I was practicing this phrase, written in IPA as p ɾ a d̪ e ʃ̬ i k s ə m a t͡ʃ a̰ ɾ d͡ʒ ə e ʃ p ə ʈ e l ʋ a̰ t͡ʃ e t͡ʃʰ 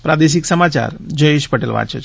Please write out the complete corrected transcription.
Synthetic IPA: p ɾ a d̪ e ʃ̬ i k s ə m a t͡ʃ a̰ ɾ d͡ʒ ə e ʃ p ə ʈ e l ʋ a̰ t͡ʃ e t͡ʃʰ

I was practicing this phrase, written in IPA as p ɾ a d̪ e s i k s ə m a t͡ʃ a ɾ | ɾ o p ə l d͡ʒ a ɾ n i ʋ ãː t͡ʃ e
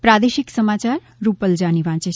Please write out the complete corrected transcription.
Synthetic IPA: p ɾ a d̪ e ʃ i k s ə m a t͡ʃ a ɾ | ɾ u p ə l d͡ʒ a n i ʋ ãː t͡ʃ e

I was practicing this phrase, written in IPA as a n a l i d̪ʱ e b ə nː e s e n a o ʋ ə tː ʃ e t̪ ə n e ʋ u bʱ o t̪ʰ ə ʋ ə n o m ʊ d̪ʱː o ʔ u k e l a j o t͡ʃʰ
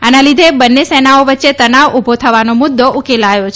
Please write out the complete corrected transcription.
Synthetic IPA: a n a l i d̪ʱ e b ə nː e s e n a o ʋ ə tː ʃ e t̪ ə n a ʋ u bʱ o t̪ʰ ə ʋ a n o m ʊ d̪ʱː o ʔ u k e l a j o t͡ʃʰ

